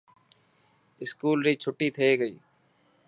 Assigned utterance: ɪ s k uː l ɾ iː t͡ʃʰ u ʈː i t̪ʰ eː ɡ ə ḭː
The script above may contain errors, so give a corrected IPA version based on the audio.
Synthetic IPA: ɪ s k uː l ɾ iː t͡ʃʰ ʊ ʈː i t̪ʰ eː ɡ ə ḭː